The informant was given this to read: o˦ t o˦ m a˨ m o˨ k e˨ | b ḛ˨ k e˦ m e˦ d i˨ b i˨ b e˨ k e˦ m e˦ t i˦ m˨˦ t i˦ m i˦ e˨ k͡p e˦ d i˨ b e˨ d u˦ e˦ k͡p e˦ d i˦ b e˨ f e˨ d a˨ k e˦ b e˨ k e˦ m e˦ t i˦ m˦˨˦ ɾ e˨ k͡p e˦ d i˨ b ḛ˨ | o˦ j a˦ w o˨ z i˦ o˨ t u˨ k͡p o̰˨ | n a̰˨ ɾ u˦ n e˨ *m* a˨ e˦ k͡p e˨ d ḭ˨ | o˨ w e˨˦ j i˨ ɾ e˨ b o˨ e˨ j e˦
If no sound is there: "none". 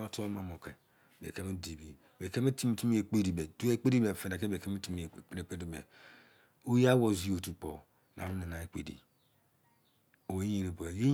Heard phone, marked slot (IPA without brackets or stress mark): n